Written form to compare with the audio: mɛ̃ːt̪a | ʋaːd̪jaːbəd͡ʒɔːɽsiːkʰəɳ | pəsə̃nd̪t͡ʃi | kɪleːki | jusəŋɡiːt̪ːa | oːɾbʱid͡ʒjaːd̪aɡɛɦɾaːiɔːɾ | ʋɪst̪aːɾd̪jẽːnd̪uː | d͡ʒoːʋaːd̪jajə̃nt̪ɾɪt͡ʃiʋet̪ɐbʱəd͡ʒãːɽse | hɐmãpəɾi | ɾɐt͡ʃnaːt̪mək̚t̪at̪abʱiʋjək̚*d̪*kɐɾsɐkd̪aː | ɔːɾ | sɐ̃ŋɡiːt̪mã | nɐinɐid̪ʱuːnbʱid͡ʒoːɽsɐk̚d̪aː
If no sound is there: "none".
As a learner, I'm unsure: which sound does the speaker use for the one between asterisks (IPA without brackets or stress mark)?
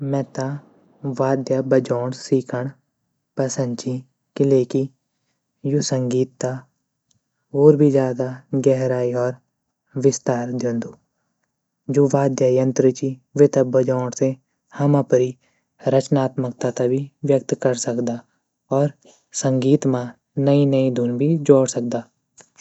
t̪